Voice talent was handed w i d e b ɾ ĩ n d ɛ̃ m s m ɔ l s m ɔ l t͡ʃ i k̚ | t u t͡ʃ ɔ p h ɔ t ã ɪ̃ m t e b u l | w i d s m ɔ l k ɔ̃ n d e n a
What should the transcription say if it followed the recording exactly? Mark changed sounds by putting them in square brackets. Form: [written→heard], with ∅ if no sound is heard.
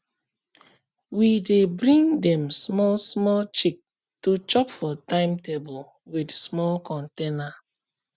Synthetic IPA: w i d e b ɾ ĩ [n→ŋ] d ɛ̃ m s m ɔ l s m ɔ l t͡ʃ i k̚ | t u t͡ʃ ɔ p [h→f] ɔ t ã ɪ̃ m t e b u l | w i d s m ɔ l k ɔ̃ n [d→t] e n a